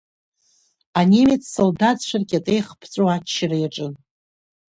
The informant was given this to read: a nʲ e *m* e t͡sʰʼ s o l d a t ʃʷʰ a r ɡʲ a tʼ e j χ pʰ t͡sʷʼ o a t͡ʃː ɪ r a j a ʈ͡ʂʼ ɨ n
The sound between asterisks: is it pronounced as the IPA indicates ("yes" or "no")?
yes